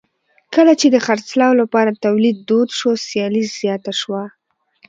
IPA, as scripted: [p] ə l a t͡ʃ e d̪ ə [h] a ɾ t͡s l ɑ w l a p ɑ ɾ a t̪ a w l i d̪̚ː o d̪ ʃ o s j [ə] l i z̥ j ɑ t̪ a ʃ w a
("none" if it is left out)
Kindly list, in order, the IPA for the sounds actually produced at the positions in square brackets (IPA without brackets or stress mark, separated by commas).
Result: k, x, ɑ